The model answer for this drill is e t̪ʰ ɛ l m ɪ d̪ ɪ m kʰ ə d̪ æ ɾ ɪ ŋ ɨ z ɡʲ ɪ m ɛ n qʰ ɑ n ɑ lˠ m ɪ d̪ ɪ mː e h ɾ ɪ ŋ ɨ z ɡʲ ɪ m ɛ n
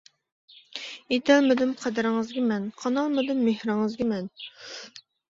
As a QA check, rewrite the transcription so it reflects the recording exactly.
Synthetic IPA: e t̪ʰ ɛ l m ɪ d̪ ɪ m qʰ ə d̪ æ ɾ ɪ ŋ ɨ z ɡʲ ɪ m ɛ n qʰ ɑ n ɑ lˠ m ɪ d̪ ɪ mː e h ɾ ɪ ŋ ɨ z ɡʲ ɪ m ɛ n